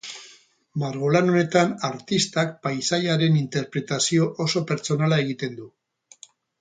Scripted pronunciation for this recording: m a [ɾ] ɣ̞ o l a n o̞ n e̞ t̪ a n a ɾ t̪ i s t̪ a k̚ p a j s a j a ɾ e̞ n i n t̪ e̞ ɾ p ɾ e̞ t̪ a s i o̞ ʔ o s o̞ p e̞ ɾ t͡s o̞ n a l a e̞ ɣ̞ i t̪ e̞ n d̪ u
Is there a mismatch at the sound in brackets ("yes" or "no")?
no